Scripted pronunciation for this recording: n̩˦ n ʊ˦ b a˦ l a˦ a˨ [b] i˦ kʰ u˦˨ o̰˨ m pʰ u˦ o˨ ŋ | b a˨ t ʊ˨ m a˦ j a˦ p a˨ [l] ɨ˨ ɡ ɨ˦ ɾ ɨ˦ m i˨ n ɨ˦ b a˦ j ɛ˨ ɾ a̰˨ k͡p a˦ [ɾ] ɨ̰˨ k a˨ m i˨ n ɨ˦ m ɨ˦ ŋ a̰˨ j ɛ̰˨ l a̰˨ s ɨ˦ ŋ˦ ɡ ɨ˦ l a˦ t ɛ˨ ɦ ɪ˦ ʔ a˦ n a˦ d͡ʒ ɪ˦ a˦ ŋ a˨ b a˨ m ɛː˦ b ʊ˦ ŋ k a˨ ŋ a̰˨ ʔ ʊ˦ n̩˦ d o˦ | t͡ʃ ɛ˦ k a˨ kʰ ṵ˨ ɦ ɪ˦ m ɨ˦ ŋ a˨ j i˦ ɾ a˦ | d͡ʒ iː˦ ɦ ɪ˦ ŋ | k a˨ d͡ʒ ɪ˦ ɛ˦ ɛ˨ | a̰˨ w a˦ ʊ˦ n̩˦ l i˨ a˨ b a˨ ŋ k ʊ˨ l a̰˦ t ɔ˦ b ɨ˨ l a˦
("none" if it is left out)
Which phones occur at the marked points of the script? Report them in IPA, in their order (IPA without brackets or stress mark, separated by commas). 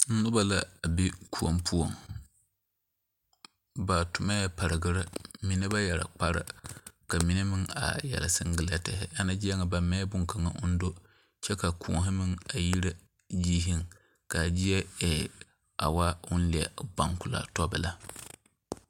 b, ɾ, ɾ